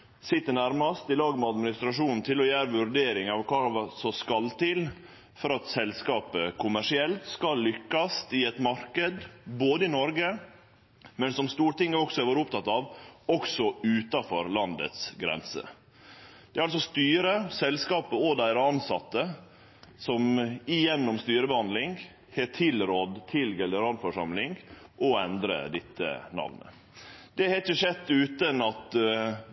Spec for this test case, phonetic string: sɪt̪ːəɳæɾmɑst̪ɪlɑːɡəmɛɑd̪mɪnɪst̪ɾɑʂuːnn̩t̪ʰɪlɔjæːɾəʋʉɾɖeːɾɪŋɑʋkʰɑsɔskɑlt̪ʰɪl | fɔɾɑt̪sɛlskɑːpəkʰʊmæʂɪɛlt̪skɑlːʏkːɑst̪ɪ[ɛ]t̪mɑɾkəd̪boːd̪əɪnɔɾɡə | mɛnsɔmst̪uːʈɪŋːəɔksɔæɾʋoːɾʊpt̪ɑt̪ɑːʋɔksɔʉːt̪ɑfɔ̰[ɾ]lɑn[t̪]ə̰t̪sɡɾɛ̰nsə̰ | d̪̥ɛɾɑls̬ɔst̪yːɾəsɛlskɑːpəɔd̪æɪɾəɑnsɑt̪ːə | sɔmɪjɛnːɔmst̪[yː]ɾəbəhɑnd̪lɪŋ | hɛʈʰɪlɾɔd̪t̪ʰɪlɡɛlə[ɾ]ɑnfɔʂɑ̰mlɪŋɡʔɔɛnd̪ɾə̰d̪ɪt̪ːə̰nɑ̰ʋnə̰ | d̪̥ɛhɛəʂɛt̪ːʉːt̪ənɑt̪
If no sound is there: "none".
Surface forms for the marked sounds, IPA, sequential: ɛ, ɾ, d̪, yː, ɾ

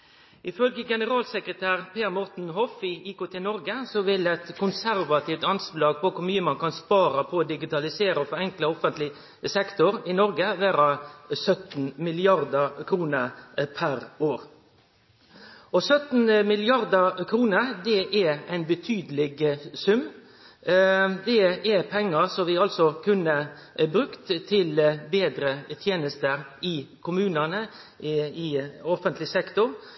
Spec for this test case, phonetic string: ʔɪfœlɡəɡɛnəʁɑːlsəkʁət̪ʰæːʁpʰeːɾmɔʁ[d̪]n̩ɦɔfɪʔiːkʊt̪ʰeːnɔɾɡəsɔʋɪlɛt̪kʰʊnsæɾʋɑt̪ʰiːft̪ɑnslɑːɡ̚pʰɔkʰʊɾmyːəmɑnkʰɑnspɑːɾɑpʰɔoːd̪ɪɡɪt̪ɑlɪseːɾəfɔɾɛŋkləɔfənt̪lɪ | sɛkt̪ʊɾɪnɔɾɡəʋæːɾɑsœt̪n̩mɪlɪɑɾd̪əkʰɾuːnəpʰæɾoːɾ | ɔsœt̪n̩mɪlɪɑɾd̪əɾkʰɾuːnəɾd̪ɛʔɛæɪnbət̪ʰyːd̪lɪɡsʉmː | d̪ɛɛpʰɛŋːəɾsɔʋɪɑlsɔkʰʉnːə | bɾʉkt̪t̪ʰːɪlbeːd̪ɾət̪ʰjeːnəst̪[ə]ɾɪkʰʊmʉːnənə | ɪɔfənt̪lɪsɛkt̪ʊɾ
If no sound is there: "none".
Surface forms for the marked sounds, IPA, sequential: t̪, ə

